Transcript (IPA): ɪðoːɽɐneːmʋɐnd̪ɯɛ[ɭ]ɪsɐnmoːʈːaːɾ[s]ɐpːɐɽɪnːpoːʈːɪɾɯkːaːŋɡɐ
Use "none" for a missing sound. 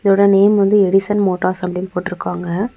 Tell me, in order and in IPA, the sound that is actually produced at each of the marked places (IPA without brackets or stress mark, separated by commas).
ɽ, s